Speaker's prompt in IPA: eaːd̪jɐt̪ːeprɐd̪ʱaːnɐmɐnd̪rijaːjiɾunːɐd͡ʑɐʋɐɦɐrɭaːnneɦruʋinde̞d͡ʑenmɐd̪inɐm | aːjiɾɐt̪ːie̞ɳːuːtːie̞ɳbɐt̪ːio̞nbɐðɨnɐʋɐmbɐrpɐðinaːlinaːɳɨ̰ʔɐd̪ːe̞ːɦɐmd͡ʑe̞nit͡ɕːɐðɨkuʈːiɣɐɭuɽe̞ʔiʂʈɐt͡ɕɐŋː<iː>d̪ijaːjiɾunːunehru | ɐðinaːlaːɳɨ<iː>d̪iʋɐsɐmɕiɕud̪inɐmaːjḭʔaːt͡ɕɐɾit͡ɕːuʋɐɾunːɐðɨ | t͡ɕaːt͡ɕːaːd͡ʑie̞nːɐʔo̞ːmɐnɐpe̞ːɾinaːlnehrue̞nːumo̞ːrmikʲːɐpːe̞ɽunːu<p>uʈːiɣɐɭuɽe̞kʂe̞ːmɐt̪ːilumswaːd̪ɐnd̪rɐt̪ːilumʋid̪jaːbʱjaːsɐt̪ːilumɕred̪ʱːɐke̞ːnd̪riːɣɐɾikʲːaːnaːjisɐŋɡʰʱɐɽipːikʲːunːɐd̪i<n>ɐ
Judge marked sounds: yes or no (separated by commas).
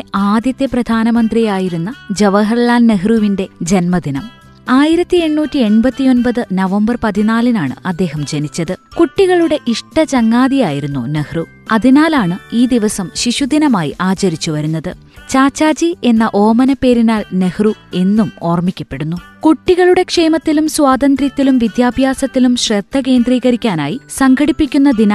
no, yes, no, yes